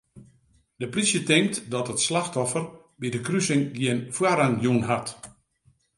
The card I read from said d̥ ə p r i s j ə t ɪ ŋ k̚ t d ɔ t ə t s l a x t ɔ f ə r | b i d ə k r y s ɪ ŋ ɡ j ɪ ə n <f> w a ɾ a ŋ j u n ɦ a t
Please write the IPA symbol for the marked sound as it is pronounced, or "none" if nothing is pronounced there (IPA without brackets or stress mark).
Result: f